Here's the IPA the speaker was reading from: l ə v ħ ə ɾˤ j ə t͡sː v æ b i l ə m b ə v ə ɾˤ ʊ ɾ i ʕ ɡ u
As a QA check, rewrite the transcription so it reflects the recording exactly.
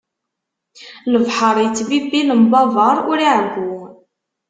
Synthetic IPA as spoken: l ə v ħ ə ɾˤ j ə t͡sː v i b i l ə m b ɑ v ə ɾˤ ʊ ɾ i ʕ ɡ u